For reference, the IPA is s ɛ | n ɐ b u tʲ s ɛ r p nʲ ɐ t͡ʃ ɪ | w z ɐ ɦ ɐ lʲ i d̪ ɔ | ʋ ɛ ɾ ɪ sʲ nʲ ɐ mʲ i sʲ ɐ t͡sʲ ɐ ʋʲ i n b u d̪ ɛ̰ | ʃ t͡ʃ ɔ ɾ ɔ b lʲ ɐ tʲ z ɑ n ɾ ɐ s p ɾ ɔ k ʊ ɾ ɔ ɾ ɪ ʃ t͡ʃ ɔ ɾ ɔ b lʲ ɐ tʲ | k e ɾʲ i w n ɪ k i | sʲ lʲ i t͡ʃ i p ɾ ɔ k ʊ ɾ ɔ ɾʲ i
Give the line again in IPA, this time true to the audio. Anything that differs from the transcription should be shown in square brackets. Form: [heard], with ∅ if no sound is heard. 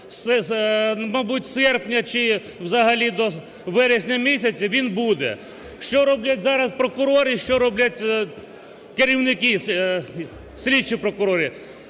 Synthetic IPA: s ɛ | [m] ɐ b u tʲ s ɛ r p nʲ ɐ t͡ʃ ɪ | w z ɐ ɦ ɐ lʲ i d̪ ɔ | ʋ ɛ ɾ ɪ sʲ nʲ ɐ mʲ i sʲ ɐ t͡sʲ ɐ ʋʲ i n b u d̪ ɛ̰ | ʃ t͡ʃ ɔ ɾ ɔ b lʲ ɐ tʲ z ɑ [∅] ɾ ɐ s p ɾ ɔ k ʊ ɾ ɔ ɾ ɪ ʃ t͡ʃ ɔ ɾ ɔ b lʲ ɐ tʲ | k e ɾʲ i w n ɪ k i | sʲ lʲ i t͡ʃ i p ɾ ɔ k ʊ ɾ ɔ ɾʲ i